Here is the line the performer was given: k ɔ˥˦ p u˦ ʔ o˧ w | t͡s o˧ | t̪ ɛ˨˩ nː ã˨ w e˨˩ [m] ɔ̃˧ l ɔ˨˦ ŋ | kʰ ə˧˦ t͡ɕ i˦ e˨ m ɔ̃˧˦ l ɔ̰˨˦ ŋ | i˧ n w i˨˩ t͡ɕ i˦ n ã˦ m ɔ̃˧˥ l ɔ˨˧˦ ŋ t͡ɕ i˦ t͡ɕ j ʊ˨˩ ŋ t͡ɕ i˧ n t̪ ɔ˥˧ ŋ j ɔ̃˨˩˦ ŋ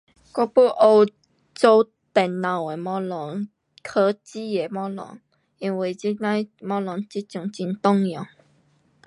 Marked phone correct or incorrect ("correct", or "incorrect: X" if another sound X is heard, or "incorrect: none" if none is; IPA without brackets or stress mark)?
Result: correct